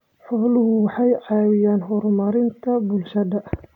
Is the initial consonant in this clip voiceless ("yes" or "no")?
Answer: yes